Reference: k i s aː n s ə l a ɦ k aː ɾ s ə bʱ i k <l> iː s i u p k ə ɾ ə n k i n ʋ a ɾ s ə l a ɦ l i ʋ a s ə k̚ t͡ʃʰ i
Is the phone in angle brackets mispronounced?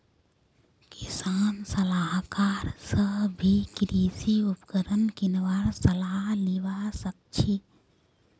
yes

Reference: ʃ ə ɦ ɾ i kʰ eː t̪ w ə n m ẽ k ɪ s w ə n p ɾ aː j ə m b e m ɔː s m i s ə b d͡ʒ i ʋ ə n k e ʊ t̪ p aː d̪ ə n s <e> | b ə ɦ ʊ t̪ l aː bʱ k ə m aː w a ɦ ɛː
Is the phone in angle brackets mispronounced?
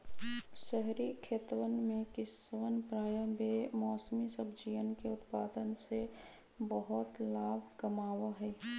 no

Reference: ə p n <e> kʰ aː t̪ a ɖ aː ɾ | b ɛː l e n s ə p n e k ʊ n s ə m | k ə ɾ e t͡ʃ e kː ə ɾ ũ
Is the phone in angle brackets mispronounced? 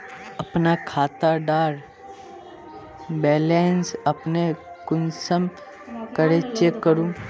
yes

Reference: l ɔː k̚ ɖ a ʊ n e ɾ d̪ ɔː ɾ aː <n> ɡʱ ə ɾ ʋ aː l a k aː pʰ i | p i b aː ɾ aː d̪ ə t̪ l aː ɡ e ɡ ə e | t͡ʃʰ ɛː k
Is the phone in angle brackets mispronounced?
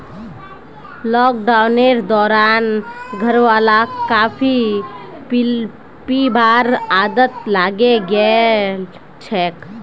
no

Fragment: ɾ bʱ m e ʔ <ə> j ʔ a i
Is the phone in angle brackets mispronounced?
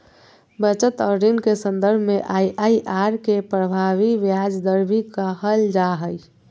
yes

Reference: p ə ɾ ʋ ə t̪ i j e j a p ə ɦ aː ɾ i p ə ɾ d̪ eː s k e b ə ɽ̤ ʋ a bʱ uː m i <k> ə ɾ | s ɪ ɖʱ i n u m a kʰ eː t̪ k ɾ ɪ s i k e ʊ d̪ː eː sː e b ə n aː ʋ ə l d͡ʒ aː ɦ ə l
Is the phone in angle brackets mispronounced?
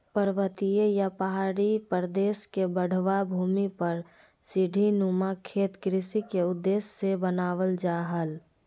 yes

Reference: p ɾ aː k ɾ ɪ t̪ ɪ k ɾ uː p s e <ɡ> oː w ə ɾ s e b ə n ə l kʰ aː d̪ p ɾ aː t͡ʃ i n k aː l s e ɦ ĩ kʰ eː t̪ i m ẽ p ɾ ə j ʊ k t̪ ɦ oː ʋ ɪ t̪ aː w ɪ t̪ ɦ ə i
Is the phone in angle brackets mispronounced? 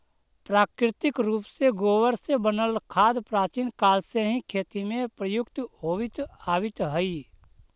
no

